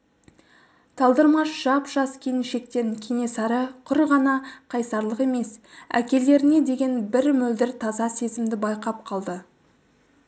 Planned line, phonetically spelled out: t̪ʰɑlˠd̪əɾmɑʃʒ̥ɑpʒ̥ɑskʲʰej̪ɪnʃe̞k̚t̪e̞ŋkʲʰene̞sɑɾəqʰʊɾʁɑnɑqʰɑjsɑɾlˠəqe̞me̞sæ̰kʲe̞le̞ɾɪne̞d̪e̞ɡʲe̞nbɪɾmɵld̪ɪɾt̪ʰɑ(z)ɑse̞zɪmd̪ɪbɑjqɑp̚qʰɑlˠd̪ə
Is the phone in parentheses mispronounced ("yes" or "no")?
no